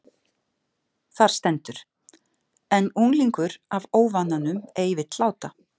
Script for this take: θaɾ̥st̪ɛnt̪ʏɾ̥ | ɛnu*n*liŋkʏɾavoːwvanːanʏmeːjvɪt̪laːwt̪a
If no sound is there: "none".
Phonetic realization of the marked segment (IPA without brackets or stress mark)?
ŋ